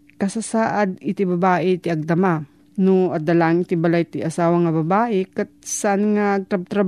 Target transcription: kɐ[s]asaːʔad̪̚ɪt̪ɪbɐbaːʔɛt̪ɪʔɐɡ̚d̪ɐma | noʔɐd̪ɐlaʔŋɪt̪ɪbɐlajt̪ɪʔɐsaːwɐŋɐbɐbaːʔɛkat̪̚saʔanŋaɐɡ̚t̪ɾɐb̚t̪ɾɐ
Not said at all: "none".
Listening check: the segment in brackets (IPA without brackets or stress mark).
s